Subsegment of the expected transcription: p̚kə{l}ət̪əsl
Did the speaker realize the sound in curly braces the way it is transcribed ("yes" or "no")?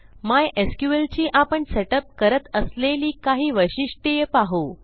no